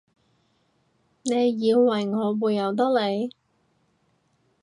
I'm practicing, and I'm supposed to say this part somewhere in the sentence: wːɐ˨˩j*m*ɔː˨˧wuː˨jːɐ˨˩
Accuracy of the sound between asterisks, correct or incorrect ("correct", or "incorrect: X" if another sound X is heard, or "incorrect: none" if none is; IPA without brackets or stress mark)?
incorrect: ŋ